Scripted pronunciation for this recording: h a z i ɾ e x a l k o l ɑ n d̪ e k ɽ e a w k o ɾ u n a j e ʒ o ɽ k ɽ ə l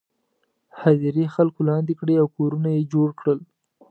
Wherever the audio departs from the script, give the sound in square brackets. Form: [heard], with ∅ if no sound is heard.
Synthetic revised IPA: h a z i ɾ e x a l k o l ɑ n d̪ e k ɽ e a w k o ɾ u n a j e [d͡ʒ] o ɽ k ɽ ə l

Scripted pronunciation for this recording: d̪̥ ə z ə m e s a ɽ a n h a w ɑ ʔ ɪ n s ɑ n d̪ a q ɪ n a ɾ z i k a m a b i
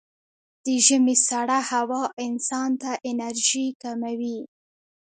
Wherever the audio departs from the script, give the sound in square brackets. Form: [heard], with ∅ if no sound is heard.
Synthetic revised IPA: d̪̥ ə [ʒ] ə m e s a ɽ a [∅] h a w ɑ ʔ ɪ n s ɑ n [t̪] a [ʔ] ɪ n a ɾ [ʒ] i k a m a [w] i

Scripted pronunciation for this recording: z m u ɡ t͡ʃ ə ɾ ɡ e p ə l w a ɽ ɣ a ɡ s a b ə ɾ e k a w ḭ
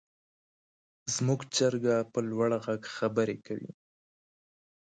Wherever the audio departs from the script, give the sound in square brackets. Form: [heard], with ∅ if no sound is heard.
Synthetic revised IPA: z m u ɡ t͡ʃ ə ɾ ɡ [a] p ə l w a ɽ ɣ a ɡ [x] a b ə ɾ e k a w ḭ

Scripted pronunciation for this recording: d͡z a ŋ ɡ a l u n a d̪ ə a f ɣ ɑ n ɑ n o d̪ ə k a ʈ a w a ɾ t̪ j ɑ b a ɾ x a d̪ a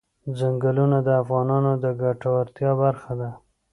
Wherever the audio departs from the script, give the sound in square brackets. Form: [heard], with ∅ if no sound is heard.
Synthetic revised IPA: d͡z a ŋ ɡ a l u n a d̪ ə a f ɣ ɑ n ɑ n o d̪ ə [ɡ] a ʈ a w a ɾ t̪ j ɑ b a ɾ x a d̪ a

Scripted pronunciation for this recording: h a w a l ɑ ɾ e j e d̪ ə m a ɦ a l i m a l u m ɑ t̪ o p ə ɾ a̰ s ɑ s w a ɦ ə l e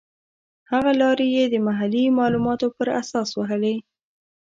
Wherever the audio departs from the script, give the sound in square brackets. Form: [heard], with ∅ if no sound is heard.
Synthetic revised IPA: h a [ɣ] a l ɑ ɾ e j e d̪ ə m a ɦ a l i m [ɑ] l u m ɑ t̪ o p ə ɾ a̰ s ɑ s w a ɦ ə l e

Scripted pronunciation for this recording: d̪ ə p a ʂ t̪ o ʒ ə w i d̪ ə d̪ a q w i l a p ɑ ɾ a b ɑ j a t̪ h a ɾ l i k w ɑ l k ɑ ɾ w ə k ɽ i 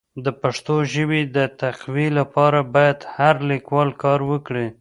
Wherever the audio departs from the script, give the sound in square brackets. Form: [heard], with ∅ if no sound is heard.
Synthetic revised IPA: d̪ ə p a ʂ t̪ o ʒ ə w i d̪ ə [t̪] a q w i l a p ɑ ɾ a b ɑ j a [d̪] h a ɾ l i k w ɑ l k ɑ ɾ w ə k ɽ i

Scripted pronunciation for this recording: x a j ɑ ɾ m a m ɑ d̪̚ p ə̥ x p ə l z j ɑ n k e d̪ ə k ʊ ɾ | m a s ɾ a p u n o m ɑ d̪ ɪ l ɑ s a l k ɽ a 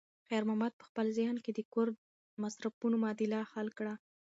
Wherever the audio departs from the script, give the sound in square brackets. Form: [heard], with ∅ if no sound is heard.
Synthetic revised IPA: x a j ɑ ɾ m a m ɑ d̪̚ p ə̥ x p ə l z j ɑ n k e d̪ ə k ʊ ɾ | m a s ɾ a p u n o m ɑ d̪ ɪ l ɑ [x] a l k ɽ a

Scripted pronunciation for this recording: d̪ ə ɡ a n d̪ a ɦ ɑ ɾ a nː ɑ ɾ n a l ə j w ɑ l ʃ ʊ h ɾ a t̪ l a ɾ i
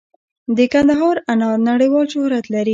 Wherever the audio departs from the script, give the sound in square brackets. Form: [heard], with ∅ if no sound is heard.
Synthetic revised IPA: d̪ ə [k] a n d̪ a ɦ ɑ ɾ a [n] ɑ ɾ n a [ɽ] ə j w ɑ l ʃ ʊ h ɾ a t̪ l a ɾ i

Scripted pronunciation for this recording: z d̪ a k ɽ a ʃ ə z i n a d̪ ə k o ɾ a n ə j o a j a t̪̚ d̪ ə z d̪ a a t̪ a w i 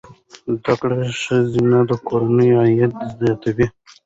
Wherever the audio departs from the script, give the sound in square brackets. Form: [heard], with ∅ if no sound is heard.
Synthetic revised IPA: z d̪ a k ɽ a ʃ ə z i n a d̪ ə k o ɾ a n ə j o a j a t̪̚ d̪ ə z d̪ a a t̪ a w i

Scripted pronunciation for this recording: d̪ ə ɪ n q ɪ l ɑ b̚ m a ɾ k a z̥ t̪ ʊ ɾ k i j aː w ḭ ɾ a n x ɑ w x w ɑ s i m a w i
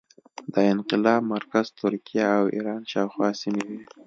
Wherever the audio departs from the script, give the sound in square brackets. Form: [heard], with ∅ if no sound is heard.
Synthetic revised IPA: d̪ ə ɪ n q ɪ l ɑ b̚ m a ɾ k a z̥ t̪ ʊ ɾ k i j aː w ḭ ɾ [ɑ] n [ʃ] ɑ w x w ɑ s i m [e] w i

